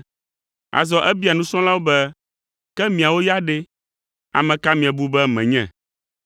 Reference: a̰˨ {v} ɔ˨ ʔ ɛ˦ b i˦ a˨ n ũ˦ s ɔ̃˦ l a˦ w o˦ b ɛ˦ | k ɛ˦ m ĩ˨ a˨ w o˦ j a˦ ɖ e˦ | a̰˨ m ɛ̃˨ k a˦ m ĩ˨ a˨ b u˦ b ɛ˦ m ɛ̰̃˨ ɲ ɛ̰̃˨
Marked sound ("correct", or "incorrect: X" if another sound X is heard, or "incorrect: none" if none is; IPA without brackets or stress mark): incorrect: z